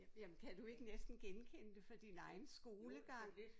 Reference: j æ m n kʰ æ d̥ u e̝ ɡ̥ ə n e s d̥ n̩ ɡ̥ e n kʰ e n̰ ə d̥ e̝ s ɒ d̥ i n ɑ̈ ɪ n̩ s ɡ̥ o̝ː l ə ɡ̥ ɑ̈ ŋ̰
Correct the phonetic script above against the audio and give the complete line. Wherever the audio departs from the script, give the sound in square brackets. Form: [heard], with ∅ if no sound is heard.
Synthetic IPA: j æ m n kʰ æ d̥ u e̝ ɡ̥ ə n e s d̥ n̩ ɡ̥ e n kʰ e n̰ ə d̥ e̝ [f] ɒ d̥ i n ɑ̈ ɪ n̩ s ɡ̥ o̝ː l ə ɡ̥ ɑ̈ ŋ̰